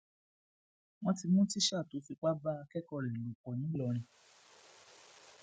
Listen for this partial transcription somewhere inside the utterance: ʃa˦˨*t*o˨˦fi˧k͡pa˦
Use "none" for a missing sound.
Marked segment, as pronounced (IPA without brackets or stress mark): t